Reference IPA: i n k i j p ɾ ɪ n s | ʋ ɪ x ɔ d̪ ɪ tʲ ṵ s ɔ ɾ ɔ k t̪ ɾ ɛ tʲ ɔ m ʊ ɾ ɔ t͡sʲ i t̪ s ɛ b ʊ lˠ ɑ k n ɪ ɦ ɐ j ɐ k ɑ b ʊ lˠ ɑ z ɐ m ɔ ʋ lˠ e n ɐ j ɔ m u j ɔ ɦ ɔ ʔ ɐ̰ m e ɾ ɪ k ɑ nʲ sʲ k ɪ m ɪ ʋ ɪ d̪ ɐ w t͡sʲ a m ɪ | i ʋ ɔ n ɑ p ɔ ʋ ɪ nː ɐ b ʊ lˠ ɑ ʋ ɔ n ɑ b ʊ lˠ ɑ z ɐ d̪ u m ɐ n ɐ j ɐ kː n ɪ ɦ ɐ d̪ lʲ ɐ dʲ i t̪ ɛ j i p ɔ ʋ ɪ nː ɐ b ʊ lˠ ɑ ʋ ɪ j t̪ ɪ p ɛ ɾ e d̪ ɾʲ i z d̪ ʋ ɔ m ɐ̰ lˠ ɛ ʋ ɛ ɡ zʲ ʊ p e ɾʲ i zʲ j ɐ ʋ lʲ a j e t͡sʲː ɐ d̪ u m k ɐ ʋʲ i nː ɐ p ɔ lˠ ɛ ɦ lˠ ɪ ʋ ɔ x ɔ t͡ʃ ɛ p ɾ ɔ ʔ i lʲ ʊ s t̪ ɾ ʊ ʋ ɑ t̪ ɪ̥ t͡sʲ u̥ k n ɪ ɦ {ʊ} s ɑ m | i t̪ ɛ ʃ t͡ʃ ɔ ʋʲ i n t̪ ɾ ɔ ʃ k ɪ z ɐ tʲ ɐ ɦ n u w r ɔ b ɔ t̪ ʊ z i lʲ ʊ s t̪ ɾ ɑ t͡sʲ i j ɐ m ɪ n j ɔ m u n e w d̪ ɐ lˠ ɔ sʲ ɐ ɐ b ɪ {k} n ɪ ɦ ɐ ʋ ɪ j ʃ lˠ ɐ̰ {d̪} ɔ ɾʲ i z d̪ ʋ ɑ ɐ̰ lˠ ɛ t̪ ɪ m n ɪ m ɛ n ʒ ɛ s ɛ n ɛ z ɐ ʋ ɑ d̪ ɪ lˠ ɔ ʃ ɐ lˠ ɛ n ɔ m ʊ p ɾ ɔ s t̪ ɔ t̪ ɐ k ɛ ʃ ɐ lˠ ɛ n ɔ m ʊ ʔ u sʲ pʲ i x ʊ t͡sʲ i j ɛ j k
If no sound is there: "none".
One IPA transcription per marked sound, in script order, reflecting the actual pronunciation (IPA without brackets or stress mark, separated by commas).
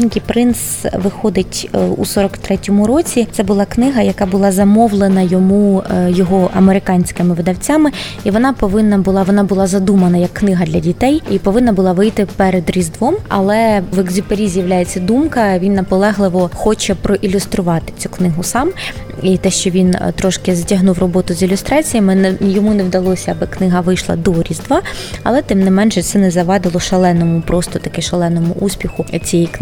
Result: ʊ, k, d̪